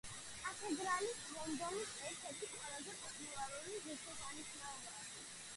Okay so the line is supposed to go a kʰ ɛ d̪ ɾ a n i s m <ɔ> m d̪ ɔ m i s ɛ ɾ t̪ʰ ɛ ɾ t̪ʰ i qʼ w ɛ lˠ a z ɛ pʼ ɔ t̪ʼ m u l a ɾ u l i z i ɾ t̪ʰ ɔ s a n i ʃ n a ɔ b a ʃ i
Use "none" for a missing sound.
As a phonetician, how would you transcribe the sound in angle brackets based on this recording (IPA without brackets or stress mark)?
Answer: ɔ